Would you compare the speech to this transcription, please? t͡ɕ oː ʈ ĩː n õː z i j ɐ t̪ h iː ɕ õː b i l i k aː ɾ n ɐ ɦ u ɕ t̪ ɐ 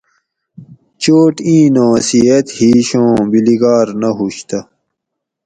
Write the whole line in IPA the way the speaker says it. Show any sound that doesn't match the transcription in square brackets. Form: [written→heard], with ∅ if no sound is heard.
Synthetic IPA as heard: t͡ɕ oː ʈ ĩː n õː [z→s] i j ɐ t̪ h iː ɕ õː b i l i [k→ɡ] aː ɾ n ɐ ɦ u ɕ t̪ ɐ

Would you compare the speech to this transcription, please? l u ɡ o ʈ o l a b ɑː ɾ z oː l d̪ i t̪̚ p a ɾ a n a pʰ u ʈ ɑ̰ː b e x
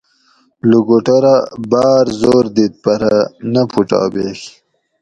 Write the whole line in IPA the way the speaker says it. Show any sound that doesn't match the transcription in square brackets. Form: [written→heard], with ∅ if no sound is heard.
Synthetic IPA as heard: l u ɡ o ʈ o [l→ɾ] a b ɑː ɾ z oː [l→ɾ] d̪ i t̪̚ p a ɾ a n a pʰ u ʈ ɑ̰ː b e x

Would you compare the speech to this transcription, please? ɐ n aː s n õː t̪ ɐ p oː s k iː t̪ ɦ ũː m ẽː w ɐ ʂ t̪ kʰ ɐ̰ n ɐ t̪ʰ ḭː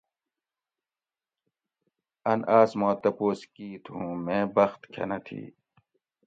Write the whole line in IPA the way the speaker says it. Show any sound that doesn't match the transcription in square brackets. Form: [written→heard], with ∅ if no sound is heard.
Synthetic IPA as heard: ɐ n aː s [n→m] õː t̪ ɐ p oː s k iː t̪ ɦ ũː m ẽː [w→b] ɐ [ʂ→x] t̪ kʰ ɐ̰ n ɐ t̪ʰ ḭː

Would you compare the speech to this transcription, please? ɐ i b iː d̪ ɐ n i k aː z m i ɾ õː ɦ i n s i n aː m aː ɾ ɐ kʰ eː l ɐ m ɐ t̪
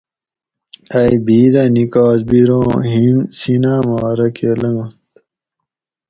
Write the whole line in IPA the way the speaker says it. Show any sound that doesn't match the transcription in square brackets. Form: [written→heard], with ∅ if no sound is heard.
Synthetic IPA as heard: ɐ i b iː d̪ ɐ n i k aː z [m→b] i ɾ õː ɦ i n s i n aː m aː ɾ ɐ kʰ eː l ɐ [m→ŋ] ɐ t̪

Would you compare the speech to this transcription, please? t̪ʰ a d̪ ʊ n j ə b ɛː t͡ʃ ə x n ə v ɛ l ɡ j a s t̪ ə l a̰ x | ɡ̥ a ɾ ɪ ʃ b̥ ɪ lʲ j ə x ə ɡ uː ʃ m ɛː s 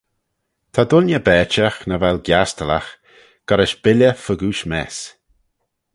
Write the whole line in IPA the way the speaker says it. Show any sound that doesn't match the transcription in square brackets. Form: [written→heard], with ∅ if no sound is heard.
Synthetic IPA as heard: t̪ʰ a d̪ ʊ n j ə b ɛː t͡ʃ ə x n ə v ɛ l ɡ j a s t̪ ə l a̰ x | ɡ̥ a ɾ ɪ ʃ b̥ ɪ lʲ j ə [x→f] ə ɡ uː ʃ m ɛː s

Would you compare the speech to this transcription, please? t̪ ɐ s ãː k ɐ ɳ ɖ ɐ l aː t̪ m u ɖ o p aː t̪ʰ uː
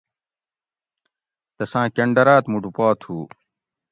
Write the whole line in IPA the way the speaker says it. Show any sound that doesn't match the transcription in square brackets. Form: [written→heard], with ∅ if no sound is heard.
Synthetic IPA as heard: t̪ ɐ s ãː k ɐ ɳ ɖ ɐ [l→ɾ] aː t̪ m u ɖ [o→u] p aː t̪ʰ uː

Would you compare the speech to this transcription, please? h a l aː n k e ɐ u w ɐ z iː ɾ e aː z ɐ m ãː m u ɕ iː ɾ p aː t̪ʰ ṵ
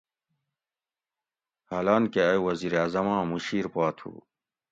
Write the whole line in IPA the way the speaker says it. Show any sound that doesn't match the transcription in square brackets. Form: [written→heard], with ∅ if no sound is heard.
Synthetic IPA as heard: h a l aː n k e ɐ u w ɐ z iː ɾ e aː z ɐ m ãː m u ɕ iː ɾ p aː t̪ʰ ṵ

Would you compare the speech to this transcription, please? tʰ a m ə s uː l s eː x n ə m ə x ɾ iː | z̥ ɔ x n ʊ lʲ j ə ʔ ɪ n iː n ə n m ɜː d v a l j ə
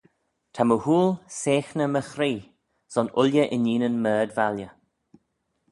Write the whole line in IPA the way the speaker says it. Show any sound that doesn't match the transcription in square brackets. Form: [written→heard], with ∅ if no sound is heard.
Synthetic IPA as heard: tʰ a m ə [s→h] uː l s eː x n ə m ə x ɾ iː | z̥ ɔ [x→∅] n ʊ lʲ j ə ʔ ɪ n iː n ə n m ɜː d v a l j ə

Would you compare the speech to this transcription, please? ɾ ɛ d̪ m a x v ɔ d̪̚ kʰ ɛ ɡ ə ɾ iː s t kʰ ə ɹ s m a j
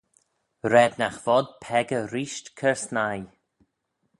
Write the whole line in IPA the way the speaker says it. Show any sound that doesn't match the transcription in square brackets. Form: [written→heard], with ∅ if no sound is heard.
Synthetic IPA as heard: ɾ ɛ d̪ [m→n] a x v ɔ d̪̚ [kʰ→pʰ] ɛ ɡ ə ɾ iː [s→ʃ] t kʰ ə ɹ s [m→n] a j

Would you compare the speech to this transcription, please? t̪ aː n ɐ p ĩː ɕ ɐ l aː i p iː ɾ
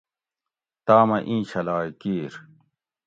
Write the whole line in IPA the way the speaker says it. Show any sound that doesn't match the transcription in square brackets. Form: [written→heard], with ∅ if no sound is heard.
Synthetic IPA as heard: t̪ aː [n→m] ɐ [p→ʔ] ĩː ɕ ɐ l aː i [p→k] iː ɾ

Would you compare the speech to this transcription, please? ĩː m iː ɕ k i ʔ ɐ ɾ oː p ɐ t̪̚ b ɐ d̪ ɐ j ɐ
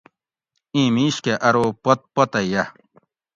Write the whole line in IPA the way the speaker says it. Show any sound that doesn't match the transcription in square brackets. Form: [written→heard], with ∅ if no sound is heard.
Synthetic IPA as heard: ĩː m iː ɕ k [i→e] ʔ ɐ ɾ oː p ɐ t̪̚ [b→p] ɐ [d̪→t̪] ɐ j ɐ

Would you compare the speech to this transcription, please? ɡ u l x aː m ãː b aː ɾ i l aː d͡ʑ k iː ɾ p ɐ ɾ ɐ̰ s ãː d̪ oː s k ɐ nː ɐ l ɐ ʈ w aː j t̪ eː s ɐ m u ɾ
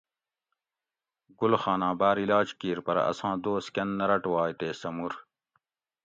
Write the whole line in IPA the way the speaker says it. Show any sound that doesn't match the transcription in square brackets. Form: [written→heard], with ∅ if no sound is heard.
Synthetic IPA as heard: ɡ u l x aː [m→n] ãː b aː ɾ i l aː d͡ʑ k iː ɾ p ɐ ɾ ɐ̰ s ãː d̪ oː s k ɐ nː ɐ [l→ɾ] ɐ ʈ w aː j t̪ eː s ɐ m u ɾ

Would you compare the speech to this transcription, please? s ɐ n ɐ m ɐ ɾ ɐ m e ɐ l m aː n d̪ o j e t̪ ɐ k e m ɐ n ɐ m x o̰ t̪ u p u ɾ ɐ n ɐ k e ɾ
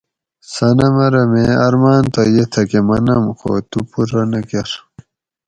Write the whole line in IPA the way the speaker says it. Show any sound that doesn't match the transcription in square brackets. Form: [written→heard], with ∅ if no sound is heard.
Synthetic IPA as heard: s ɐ n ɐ m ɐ ɾ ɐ m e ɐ [l→ɾ] m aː n [d̪→t̪] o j e [t̪→t̪ʰ] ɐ k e m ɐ n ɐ m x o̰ t̪ u p u ɾ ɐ n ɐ k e ɾ

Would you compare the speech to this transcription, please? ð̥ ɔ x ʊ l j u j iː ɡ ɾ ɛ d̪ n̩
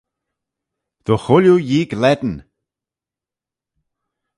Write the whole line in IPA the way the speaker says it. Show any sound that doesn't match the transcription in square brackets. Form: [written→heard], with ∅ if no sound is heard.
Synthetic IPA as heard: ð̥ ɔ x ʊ l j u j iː ɡ [ɾ→l] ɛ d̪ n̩

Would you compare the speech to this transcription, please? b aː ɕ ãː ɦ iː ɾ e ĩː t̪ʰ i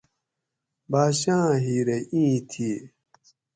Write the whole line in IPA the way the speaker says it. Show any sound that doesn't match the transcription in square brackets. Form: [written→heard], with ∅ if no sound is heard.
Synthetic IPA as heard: b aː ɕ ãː ɦ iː ɾ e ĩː t̪ʰ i

